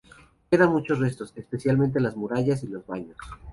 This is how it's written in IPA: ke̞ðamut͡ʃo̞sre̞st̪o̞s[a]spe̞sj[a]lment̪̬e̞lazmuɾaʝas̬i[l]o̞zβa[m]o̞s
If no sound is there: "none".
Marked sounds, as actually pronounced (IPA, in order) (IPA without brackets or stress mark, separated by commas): e, a, l, ɲ